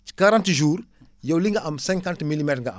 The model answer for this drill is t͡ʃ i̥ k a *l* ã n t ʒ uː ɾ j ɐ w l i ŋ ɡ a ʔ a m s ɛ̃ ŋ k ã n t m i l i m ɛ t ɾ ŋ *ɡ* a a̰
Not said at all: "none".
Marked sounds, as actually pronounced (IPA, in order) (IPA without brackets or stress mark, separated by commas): ɾ, ɡ